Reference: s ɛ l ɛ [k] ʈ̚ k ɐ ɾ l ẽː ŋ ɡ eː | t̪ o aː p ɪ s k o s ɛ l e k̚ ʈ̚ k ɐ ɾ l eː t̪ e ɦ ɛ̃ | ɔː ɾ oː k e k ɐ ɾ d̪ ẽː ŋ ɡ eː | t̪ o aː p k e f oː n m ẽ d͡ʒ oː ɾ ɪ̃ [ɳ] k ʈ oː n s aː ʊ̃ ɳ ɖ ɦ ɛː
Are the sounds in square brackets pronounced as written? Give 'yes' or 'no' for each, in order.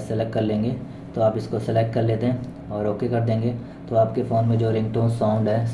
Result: yes, no

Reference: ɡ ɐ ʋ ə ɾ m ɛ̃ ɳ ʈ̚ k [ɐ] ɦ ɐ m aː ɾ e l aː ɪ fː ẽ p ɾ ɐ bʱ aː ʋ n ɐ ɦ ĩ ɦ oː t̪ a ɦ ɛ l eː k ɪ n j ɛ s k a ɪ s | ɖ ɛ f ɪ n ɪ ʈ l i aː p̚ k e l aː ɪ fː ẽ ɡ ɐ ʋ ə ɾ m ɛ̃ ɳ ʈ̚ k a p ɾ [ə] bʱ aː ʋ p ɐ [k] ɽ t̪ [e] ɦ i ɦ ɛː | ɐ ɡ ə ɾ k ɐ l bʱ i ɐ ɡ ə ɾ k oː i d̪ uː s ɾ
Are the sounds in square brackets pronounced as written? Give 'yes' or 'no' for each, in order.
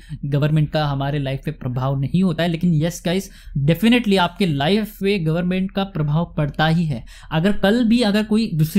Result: no, no, no, no

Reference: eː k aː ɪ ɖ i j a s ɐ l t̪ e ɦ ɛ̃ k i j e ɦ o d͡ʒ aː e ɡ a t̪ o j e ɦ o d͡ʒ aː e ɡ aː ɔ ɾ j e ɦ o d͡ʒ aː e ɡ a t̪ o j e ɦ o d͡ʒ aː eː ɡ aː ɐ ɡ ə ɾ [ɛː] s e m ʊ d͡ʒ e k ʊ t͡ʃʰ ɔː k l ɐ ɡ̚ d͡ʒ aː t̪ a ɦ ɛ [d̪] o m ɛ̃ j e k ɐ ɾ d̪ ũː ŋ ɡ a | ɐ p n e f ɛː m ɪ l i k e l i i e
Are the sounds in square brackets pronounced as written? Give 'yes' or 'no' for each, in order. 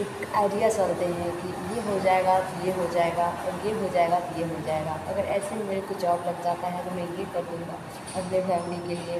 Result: yes, no

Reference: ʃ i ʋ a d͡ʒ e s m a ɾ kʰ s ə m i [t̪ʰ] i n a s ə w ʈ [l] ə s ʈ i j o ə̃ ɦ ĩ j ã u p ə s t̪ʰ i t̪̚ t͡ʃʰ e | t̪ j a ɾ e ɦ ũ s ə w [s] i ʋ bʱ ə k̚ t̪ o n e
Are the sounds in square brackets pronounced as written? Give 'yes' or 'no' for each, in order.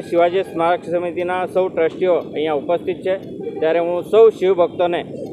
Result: no, no, no

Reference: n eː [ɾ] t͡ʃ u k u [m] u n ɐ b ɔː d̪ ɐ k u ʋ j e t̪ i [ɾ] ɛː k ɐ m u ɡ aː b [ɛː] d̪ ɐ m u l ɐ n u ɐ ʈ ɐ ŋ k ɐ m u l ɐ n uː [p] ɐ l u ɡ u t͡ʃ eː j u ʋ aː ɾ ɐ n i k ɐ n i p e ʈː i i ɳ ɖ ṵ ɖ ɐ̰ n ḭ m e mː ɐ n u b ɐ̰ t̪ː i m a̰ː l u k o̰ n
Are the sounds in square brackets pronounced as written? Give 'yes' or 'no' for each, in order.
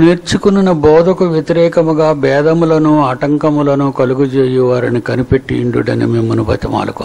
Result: yes, no, yes, yes, no

